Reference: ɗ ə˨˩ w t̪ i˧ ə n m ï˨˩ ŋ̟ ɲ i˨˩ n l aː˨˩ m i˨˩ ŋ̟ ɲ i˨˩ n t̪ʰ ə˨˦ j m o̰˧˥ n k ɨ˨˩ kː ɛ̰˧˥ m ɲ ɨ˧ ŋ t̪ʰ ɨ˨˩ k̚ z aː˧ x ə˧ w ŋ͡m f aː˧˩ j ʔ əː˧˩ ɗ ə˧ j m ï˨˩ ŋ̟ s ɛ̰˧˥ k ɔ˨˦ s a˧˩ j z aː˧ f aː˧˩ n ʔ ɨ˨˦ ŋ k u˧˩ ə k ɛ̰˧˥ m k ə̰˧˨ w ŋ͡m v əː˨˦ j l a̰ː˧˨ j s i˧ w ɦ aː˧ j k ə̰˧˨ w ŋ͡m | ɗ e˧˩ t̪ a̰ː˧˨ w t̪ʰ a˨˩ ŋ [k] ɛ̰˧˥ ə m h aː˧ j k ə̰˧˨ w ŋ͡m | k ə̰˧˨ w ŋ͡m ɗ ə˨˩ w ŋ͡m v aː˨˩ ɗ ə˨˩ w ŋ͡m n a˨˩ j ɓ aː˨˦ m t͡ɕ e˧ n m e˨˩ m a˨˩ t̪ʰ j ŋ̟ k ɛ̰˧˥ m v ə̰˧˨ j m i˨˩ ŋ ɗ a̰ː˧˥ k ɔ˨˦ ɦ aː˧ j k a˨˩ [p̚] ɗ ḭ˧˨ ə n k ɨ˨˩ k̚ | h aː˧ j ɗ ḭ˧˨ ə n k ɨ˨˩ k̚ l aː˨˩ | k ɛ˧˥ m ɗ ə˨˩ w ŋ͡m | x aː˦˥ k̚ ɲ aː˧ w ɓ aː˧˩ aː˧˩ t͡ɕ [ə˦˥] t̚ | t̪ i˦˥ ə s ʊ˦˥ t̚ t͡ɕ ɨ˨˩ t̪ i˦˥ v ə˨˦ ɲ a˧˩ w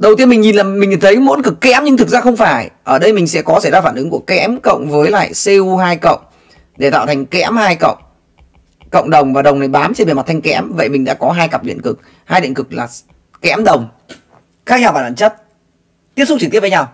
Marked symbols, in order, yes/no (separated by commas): yes, yes, yes